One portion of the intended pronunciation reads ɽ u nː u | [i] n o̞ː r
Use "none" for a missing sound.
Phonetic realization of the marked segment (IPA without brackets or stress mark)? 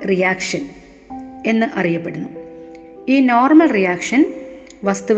iː